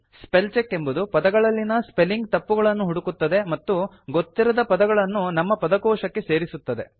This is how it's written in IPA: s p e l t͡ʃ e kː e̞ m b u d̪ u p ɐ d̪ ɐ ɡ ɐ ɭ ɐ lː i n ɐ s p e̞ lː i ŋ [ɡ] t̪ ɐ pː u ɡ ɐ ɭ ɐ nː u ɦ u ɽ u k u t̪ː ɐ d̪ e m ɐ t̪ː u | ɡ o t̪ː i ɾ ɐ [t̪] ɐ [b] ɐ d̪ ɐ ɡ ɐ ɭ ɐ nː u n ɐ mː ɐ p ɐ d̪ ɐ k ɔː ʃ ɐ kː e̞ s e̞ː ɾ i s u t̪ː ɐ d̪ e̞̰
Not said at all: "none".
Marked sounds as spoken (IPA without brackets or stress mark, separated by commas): ɡ, d̪, p